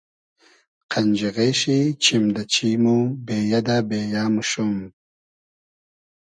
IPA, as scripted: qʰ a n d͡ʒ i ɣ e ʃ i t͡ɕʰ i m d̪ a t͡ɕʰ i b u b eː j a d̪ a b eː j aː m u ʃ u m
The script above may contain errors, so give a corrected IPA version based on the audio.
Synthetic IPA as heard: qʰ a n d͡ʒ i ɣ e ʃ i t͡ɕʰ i m d̪ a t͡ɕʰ i m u b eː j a d̪ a b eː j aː m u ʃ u m